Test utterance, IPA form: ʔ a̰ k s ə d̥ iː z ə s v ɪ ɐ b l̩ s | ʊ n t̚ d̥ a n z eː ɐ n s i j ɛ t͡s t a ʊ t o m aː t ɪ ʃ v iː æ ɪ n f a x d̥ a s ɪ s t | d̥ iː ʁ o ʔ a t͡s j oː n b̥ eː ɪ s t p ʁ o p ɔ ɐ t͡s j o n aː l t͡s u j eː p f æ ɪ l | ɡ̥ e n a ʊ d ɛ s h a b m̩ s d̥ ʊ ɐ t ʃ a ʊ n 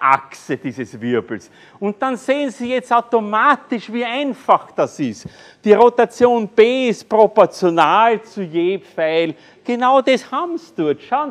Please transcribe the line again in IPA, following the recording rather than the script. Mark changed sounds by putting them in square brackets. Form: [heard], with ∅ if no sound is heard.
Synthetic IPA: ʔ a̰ k s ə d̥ iː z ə s v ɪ ɐ b l̩ s | ʊ n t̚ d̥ a n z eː [ə] n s i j ɛ t͡s t a ʊ t o m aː t ɪ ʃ v iː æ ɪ n f a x d̥ a s ɪ s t | d̥ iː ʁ o [t] a t͡s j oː n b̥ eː ɪ s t p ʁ o p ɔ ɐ t͡s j o n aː l t͡s u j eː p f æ ɪ l | ɡ̥ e n a ʊ d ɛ s h a b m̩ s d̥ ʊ ɐ t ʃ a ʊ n